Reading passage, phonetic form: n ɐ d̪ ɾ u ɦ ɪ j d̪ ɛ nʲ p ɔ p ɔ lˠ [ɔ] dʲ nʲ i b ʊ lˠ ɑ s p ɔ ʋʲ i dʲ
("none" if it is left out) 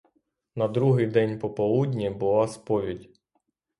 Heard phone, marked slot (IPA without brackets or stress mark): u